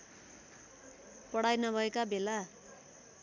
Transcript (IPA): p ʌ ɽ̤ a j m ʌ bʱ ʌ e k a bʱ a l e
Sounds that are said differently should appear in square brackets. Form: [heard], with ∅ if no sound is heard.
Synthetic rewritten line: p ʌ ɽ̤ a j [n] ʌ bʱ ʌ e k a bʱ [e] l [a]

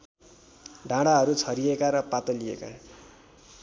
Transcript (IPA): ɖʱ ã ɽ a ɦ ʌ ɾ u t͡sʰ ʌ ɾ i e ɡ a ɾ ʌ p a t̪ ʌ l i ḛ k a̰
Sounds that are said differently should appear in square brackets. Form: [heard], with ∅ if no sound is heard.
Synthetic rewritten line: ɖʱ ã ɽ a ɦ ʌ ɾ u t͡sʰ ʌ ɾ i e [k] a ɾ ʌ p a t̪ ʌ l i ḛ k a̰

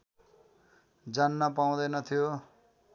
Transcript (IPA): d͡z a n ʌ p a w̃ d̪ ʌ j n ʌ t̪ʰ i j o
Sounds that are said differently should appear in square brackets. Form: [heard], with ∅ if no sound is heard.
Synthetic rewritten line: d͡z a [nː] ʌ p a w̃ d̪ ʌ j n ʌ t̪ʰ i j o

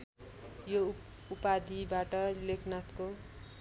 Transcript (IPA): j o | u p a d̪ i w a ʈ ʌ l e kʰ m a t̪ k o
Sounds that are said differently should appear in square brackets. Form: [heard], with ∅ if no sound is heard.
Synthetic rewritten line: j o | u p a d̪ i [b] a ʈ ʌ l e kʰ [n] a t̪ k o

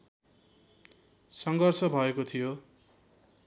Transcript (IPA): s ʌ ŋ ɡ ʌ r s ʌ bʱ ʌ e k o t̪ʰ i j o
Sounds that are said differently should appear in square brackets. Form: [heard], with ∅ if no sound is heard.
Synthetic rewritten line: s ʌ ŋ ɡ ʌ r s ʌ bʱ ʌ e k o t̪ʰ i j o

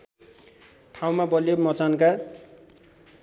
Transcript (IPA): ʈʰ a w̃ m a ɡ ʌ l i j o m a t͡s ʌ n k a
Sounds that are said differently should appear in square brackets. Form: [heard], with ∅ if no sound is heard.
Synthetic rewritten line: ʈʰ a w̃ m a [b] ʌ l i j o m [ʌ] t͡s [a] n k a

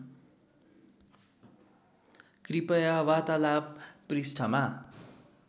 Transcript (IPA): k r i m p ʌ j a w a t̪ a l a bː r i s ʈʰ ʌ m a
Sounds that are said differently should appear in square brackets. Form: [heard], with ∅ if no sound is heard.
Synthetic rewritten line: k r i [∅] p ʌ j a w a t̪ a l a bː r i s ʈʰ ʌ m a

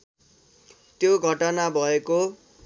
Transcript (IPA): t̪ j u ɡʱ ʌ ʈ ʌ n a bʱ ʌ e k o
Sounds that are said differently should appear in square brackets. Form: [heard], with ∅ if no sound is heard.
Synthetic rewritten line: t̪ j [o] ɡʱ ʌ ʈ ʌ n a bʱ ʌ e k o

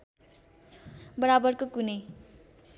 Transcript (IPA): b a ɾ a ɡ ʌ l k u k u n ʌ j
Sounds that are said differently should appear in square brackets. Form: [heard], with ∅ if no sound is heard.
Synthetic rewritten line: b [ʌ] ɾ a [b] ʌ [r] k [o] k u n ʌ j

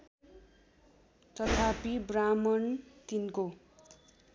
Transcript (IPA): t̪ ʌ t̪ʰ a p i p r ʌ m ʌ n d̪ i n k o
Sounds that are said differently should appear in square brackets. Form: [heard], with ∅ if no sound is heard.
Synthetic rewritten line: t̪ ʌ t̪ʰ a p i [b] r [a] m ʌ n [t̪] i n k o

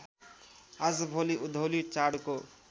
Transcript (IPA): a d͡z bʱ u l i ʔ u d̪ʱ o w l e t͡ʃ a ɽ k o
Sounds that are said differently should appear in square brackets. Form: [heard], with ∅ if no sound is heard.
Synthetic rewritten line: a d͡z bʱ [o] l i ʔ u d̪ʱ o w l [i] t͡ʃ a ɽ k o

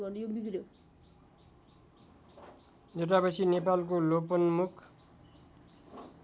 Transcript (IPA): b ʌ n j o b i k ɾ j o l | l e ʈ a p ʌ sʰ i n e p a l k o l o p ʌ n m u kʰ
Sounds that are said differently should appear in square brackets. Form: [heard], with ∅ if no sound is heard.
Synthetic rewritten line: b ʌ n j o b i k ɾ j o [∅] | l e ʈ a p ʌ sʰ i n e p a l k o l o p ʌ n m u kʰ

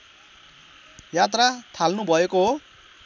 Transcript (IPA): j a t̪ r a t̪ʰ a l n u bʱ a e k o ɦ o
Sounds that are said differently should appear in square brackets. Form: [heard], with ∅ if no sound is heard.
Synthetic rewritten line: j a t̪ r a t̪ʰ a l n u bʱ [ʌ] e k o ɦ o

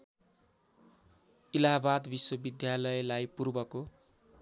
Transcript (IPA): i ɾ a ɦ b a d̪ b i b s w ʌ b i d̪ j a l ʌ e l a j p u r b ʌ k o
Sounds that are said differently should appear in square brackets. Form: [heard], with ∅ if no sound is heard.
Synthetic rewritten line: i [l] a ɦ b a d̪ b i [∅] s w ʌ b i d̪ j a l ʌ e l a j p u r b ʌ k o

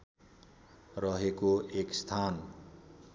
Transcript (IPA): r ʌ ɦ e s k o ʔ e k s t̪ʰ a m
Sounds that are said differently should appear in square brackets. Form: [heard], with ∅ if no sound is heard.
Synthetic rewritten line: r ʌ ɦ e [∅] k o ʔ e k s t̪ʰ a [n]

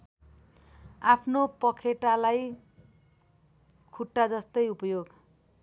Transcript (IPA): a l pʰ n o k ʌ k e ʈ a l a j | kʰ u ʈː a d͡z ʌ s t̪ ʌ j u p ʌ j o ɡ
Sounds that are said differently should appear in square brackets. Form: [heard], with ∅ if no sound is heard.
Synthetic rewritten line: a [∅] pʰ n o [p] ʌ [kʰ] e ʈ a l a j | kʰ u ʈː a d͡z ʌ s t̪ ʌ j u p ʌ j o ɡ

